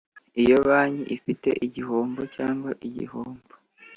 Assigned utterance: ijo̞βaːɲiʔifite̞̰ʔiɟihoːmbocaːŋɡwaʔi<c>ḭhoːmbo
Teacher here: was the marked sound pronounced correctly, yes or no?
no